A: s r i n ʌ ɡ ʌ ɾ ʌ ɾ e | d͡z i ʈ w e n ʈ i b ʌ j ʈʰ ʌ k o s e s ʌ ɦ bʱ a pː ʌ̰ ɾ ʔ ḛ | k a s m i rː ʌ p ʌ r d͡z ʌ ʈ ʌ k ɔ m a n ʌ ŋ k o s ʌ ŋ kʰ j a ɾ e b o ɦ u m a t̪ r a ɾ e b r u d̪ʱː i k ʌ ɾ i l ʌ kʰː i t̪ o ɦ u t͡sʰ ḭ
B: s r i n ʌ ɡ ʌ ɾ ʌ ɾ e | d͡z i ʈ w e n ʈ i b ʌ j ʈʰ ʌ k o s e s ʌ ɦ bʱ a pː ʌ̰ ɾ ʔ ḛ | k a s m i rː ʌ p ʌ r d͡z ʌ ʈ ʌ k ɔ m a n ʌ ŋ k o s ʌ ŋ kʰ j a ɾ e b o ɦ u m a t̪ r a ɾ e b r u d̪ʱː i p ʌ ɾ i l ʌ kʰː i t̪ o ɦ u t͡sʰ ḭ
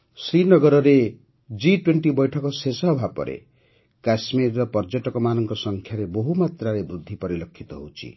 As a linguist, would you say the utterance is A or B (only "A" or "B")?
B